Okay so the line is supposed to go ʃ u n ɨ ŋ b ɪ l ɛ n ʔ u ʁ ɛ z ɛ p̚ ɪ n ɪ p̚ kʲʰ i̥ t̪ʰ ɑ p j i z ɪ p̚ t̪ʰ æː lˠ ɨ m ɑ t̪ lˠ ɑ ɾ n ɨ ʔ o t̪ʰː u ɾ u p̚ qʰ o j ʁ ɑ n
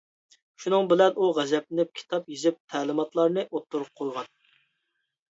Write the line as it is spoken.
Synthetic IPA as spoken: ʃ u n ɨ ŋ b ɪ l ɛ n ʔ u ʁ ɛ z ɛ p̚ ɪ n ɪ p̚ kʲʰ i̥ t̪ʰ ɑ p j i z ɪ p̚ t̪ʰ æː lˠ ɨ m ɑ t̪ lˠ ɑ ɾ n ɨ ʔ o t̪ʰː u ɾ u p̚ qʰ o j ʁ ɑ n